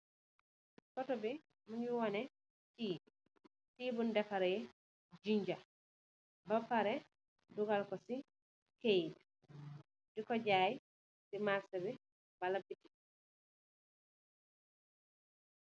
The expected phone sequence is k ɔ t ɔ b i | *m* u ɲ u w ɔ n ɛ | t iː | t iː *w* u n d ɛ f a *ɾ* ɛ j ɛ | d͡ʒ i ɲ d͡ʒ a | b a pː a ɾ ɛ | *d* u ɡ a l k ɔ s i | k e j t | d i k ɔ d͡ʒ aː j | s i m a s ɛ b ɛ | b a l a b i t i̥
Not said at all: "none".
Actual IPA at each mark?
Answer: m, b, ɾ, d

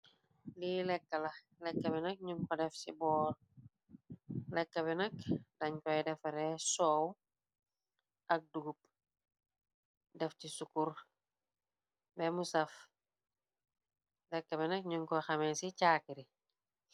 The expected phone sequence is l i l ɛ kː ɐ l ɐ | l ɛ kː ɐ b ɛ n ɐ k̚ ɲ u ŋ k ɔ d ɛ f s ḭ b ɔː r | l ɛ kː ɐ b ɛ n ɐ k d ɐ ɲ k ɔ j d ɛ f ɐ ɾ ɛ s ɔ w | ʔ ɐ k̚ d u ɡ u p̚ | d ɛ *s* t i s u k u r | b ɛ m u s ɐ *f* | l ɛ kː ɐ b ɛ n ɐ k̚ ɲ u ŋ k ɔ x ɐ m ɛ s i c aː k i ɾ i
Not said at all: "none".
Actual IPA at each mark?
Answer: f, f

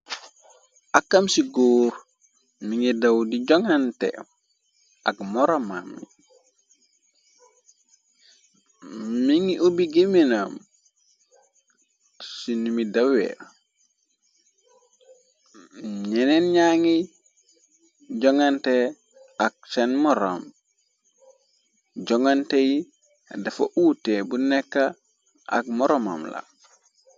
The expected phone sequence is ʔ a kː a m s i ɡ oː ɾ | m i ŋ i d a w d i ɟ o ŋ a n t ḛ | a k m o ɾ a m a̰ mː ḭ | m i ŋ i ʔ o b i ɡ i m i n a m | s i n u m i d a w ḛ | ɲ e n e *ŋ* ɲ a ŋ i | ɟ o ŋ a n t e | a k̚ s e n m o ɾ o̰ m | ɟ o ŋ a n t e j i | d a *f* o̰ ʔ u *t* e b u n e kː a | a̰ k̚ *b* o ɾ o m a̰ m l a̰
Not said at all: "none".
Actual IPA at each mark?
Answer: n, f, t, m

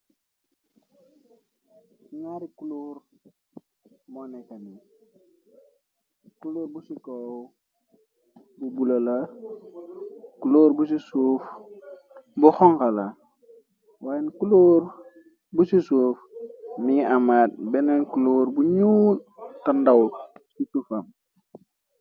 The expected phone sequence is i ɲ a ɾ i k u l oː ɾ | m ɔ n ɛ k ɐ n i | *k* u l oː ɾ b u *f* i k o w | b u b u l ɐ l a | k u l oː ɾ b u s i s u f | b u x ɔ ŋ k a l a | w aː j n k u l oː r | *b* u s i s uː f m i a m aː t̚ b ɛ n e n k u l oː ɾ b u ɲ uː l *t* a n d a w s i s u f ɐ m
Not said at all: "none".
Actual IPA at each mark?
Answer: k, s, b, t

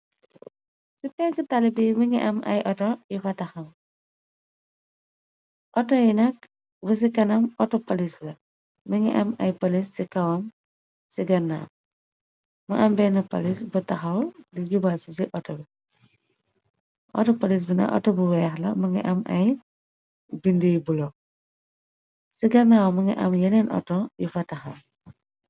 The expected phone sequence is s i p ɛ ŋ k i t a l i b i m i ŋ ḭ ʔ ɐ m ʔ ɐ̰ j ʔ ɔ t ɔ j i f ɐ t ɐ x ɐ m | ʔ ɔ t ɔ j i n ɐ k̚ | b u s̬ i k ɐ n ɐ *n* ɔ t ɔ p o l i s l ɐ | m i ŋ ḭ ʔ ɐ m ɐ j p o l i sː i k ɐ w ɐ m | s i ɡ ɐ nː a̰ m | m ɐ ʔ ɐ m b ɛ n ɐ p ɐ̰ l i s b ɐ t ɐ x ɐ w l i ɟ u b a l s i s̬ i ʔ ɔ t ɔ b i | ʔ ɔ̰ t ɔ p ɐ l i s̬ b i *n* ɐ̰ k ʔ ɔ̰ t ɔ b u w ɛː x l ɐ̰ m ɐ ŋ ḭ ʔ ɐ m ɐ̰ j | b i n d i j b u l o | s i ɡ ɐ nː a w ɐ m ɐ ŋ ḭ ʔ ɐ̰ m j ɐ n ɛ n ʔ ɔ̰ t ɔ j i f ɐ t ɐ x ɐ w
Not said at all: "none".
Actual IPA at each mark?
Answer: m, n

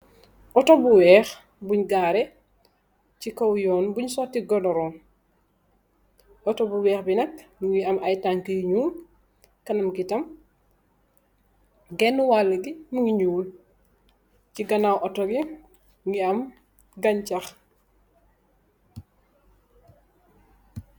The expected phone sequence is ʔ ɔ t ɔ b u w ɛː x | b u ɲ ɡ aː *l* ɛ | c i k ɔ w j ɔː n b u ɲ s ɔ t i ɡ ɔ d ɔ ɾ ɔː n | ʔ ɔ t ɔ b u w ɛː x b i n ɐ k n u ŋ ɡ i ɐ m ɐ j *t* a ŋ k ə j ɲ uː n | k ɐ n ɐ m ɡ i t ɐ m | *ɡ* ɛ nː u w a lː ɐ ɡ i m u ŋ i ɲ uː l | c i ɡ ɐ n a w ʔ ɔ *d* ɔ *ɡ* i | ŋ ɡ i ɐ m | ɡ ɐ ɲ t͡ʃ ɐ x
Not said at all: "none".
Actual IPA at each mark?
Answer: ɾ, t, ɡ, t, ɡ

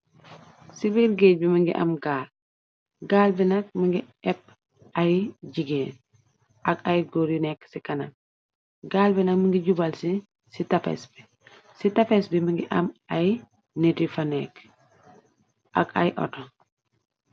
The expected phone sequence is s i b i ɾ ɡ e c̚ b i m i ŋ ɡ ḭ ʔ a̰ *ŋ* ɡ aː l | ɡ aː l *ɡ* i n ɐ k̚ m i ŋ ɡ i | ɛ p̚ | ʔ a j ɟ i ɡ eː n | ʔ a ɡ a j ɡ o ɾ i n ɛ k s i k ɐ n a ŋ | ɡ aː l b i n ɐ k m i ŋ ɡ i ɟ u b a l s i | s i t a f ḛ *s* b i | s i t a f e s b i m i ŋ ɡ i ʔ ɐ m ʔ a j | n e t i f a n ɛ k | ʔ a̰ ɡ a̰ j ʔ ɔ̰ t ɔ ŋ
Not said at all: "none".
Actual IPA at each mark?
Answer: m, b, s

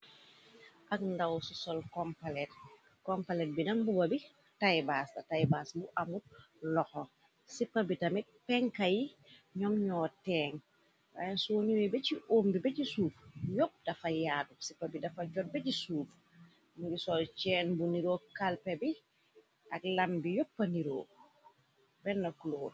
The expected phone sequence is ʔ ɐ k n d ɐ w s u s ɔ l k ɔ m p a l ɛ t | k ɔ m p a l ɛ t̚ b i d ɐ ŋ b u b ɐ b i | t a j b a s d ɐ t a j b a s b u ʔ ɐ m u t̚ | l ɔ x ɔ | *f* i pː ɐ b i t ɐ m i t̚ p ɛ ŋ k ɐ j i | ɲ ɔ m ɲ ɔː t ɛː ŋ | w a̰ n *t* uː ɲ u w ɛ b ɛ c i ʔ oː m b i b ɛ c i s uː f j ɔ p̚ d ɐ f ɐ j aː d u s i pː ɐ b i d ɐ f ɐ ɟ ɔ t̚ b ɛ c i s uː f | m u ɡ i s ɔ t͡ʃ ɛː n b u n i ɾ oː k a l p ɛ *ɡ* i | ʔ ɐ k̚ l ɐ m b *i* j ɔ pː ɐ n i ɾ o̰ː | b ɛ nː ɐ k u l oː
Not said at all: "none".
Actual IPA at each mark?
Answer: s, s, b, i

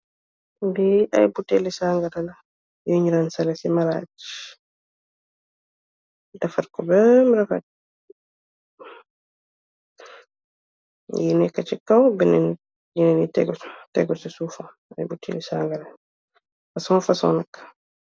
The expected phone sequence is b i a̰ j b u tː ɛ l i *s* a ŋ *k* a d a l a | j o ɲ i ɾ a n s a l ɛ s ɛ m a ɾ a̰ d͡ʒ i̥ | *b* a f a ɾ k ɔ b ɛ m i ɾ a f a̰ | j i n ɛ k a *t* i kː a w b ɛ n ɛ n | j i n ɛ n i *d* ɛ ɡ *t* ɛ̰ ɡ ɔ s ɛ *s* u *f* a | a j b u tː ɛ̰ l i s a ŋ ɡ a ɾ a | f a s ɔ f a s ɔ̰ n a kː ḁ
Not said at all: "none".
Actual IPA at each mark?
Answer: s, ɡ, d, t͡ʃ, t, t, s, f

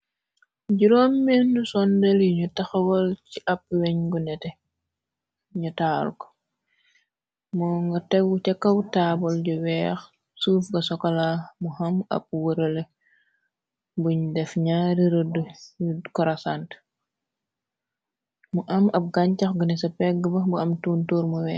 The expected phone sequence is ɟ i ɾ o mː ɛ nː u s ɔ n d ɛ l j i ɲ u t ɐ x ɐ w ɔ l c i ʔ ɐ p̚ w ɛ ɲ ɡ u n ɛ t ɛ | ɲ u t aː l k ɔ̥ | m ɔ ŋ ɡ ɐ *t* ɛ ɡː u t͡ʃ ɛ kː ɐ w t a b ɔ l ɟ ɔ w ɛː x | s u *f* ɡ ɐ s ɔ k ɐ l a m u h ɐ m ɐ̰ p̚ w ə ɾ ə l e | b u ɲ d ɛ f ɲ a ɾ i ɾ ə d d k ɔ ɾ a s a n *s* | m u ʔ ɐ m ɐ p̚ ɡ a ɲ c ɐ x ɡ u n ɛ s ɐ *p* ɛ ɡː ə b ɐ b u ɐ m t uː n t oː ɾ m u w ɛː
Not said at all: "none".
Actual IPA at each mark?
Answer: t, f, t, p

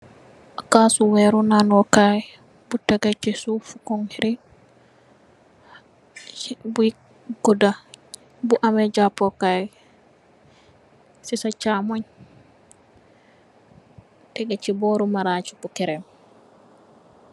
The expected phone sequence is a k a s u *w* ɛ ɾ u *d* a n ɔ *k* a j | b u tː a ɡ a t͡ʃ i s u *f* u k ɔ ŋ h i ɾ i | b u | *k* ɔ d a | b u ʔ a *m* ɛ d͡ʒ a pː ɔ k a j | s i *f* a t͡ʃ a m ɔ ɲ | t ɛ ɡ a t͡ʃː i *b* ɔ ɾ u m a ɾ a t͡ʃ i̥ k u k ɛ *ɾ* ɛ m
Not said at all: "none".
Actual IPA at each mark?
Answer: w, n, k, f, ɡ, m, s, b, ɾ

